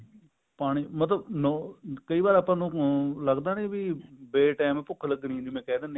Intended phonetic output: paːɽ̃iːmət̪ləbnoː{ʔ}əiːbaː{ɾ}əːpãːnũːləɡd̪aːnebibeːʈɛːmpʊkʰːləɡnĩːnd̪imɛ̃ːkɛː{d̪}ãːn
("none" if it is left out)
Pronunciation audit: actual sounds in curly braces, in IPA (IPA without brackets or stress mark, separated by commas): k, ɾ, d̪